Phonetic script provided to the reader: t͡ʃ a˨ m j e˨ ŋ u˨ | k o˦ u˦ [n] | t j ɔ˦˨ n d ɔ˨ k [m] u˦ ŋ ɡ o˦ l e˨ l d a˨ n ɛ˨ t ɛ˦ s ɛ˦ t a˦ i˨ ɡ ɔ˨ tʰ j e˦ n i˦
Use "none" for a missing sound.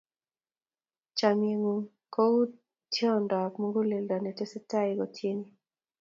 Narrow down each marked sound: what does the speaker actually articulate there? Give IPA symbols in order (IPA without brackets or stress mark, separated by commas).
none, m